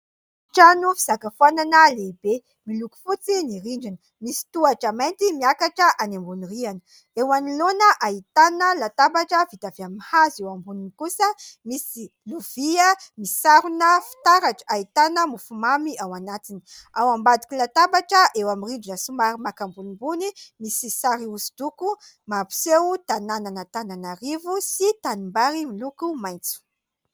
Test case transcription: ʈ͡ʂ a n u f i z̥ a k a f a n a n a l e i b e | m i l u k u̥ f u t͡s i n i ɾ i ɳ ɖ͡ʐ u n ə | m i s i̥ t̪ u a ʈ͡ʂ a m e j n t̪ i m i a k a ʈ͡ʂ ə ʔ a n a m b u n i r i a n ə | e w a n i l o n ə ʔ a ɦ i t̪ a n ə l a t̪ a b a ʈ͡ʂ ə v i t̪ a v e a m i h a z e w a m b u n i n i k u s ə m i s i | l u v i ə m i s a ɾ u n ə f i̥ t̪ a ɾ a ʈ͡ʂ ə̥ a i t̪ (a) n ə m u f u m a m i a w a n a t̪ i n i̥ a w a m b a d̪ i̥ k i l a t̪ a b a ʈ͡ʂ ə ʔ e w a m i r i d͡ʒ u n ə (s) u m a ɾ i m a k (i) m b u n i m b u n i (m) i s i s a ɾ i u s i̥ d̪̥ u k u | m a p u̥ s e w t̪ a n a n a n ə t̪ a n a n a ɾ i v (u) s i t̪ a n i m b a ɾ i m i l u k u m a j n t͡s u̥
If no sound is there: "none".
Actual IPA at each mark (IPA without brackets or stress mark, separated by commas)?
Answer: a, s, a, m, u